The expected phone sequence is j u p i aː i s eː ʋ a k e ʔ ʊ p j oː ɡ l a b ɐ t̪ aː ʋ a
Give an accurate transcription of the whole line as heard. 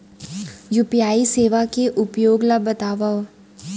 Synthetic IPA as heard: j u p j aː i s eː ʋ a k e ʔ ʊ p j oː ɡ l a b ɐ t̪ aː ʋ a